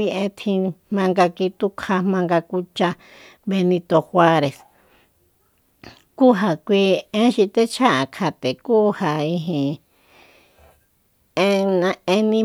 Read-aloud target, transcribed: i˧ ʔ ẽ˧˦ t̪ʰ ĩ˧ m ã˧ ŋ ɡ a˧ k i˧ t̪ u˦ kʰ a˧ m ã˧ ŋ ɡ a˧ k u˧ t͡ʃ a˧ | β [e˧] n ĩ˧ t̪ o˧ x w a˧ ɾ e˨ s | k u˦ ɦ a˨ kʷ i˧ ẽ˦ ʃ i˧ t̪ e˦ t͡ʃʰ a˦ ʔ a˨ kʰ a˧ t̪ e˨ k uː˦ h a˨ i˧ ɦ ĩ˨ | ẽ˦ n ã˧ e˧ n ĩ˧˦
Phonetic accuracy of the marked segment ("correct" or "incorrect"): correct